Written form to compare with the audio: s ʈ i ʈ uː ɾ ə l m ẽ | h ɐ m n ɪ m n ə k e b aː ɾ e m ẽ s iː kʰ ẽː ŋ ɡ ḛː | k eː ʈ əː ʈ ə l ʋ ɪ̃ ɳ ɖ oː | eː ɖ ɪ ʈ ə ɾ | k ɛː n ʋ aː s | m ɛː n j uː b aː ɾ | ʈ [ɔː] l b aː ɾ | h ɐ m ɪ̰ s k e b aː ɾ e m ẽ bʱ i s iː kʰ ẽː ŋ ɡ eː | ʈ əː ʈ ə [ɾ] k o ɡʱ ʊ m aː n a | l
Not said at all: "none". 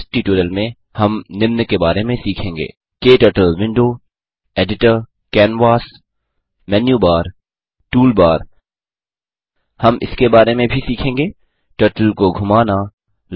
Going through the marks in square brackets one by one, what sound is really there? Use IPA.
uː, l

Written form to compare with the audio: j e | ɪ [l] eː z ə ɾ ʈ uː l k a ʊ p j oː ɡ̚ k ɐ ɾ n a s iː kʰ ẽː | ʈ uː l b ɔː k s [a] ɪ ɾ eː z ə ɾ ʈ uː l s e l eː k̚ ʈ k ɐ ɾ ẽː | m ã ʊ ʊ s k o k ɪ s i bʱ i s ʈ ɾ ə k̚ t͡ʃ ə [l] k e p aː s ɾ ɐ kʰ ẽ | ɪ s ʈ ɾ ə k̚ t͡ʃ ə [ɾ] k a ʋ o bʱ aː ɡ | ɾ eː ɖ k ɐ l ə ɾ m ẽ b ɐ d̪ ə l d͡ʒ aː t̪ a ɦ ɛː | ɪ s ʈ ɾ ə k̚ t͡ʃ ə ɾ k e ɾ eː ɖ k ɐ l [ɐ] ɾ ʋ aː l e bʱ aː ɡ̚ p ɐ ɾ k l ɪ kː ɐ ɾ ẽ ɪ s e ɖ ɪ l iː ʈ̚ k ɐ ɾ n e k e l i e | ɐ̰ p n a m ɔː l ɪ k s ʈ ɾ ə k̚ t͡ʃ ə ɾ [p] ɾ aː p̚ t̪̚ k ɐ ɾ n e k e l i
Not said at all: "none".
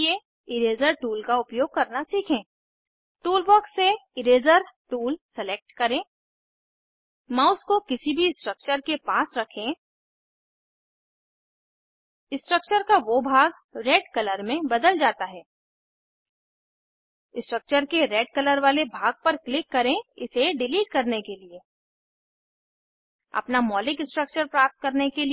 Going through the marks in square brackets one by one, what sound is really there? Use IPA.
ɾ, e, ɾ, ɾ, ə, p

